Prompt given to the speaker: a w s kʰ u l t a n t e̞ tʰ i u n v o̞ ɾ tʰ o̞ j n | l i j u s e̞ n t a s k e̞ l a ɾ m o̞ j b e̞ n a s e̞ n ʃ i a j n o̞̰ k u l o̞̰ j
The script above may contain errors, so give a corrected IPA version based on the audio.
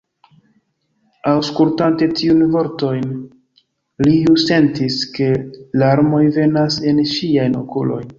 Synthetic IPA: a w s k u l t a n t e̞ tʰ i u n v o̞ ɾ t o̞ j n | l i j u s e̞ n t i s k e̞ l a ɾ m o̞ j v e̞ n a s e̞ n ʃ i a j n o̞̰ k u l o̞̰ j